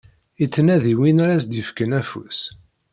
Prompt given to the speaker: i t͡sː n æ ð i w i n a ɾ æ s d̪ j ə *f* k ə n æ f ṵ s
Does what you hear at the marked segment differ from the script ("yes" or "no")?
no